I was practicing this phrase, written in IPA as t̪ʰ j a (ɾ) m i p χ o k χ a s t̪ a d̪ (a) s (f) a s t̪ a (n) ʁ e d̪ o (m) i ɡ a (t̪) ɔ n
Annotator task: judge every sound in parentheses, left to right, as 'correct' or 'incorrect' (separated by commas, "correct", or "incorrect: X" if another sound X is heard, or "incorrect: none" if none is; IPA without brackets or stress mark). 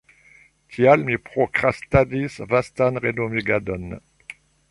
incorrect: l, incorrect: i, incorrect: v, correct, correct, incorrect: d̪